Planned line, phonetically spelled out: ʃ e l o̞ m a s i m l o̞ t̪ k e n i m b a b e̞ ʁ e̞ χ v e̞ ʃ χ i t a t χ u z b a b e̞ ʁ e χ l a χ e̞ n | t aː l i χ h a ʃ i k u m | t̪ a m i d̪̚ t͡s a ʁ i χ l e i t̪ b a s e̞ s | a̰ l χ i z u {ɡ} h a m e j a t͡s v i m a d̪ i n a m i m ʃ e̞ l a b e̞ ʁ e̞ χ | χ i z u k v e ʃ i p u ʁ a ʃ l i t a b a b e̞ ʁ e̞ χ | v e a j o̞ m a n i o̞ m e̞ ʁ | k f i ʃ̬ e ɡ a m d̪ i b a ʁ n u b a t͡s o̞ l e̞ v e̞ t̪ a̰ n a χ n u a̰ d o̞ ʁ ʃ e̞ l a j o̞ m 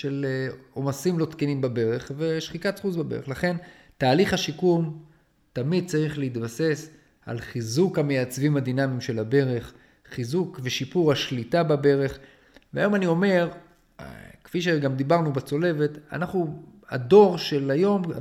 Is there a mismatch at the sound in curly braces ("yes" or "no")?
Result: yes